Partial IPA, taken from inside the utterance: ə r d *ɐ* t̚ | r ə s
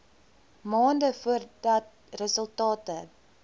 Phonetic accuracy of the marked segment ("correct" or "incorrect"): correct